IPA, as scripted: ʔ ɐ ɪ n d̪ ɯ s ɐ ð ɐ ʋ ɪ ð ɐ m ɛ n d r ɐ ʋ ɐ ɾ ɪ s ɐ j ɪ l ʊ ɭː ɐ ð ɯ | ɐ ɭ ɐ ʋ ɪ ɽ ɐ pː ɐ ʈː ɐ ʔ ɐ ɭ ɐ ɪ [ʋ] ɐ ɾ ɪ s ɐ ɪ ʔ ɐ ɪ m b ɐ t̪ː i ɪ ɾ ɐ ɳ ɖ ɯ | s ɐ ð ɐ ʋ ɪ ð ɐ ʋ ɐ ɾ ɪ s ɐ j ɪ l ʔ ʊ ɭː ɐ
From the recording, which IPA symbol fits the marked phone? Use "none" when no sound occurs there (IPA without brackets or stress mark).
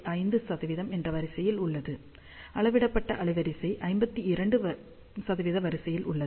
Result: ʋ